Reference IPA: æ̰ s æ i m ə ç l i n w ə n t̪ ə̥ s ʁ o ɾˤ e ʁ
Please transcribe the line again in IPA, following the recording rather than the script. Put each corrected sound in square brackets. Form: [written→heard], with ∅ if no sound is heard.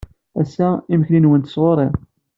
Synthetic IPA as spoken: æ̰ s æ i m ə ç l i n w ə n t̪ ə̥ s ʁ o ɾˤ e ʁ